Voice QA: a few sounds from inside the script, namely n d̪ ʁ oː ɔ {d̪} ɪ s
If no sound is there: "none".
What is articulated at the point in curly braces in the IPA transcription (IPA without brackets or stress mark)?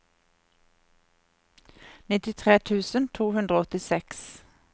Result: t̪